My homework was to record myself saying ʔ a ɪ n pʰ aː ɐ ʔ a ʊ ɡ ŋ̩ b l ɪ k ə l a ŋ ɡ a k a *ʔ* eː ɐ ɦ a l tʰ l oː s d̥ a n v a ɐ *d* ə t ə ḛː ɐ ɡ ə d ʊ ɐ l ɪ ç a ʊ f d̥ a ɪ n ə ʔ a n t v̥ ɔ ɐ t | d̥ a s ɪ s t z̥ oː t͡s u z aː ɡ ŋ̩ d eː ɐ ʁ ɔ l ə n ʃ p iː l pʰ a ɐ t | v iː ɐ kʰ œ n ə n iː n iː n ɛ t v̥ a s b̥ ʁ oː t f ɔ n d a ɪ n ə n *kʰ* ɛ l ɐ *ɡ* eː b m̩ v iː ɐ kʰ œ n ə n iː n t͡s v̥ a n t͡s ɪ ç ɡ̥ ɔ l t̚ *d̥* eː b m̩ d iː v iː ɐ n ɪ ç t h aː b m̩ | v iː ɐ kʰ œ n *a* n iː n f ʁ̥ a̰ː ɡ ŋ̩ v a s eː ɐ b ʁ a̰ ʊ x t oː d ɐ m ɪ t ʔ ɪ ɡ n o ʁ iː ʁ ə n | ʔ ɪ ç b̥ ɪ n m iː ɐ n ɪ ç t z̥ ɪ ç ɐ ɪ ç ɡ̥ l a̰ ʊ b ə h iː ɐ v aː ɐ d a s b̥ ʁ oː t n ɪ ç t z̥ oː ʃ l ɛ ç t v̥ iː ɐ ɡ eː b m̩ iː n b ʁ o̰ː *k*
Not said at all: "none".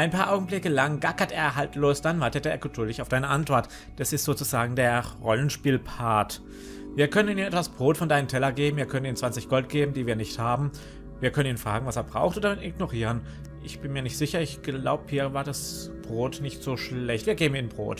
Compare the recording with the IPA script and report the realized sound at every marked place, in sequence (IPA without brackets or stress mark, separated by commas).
t, t, tʰ, ɡ, ɡ̥, ə, t